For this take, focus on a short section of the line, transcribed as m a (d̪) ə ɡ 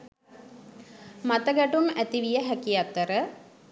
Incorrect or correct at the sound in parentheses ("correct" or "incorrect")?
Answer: incorrect